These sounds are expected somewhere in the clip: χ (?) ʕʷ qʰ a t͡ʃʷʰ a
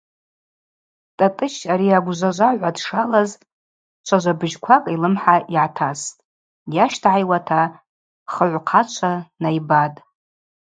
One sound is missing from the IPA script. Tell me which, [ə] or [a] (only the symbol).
ə